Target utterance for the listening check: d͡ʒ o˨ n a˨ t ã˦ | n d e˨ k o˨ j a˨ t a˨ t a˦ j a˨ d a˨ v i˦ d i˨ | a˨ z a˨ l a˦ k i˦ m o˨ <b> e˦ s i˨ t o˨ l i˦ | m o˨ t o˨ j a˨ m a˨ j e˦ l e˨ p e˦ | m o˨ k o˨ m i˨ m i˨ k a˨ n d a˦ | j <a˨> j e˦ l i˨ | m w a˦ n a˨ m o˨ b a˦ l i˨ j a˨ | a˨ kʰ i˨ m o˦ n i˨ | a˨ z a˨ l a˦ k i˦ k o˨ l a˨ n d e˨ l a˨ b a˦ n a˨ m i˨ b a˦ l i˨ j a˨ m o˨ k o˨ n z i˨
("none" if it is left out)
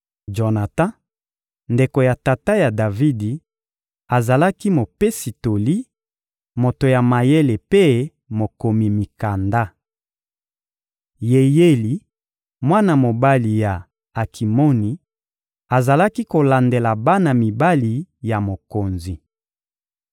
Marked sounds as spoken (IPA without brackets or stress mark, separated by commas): p, e˨